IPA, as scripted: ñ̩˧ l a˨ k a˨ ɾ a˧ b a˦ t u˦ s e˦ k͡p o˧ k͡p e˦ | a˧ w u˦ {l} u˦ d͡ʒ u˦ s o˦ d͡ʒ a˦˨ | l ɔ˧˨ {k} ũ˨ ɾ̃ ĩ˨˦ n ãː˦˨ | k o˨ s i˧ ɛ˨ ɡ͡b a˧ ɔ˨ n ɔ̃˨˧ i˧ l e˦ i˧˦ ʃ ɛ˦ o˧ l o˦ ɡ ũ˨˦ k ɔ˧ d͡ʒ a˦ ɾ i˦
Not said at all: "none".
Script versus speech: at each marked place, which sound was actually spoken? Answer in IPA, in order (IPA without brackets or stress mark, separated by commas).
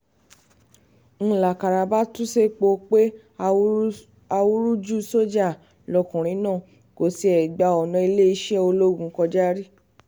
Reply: ɾ, k